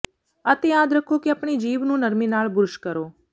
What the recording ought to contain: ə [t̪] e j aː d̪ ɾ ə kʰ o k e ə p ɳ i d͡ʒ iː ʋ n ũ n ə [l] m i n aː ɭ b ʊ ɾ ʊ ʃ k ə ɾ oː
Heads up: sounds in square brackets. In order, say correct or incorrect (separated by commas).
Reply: correct, incorrect